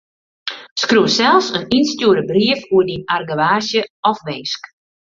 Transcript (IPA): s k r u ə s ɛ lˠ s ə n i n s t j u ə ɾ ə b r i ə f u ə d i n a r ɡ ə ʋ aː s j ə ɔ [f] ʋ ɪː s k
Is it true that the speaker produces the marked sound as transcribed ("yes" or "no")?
yes